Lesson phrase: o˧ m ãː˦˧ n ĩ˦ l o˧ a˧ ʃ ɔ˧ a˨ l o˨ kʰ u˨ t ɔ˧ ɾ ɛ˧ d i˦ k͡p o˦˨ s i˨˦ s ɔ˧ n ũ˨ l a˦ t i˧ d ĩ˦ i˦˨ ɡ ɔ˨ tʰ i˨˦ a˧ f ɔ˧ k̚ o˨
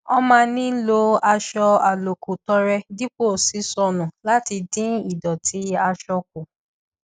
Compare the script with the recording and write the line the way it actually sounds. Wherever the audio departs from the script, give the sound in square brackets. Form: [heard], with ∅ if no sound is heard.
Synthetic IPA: [ɔ˧] m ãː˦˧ n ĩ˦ l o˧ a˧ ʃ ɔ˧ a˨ l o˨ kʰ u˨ t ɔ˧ ɾ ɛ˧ d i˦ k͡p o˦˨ s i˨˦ s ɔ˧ n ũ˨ l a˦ t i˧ d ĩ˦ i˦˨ [d] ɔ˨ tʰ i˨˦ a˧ [ʃ] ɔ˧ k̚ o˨